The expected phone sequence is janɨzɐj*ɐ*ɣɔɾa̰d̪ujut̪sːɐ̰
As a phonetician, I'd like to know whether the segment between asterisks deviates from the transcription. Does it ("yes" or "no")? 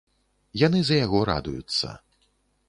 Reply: yes